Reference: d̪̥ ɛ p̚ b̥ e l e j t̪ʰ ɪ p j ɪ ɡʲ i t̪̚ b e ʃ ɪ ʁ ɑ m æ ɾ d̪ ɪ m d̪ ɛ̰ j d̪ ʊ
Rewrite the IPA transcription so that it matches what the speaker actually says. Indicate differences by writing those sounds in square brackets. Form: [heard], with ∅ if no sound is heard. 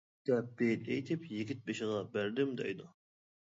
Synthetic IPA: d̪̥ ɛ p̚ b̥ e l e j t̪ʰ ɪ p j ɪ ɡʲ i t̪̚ b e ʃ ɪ ʁ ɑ [b] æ ɾ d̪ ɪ m d̪ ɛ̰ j d̪ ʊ